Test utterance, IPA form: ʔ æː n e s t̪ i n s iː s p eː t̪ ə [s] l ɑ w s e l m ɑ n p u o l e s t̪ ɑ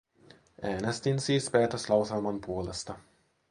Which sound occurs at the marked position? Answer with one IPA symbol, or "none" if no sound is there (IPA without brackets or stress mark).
s